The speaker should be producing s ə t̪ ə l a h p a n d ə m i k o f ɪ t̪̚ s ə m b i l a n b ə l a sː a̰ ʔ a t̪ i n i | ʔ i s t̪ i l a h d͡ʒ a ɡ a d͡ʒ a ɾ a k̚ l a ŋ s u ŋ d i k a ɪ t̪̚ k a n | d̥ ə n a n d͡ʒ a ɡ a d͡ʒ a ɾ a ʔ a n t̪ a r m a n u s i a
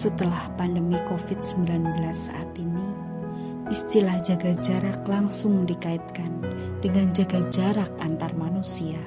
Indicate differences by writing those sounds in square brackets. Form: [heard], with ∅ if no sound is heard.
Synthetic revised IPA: s ə t̪ ə l a h p a n d ə m i k o f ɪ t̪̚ s ə m b i l a n b ə l a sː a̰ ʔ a t̪ i n i | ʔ i s t̪ i l a h d͡ʒ a ɡ a d͡ʒ a ɾ a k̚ l a ŋ s [ʊ] ŋ d i k a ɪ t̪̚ k a n | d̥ ə [ŋ] a n d͡ʒ a ɡ a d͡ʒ a ɾ a [k] a n t̪ a r m a n u s i a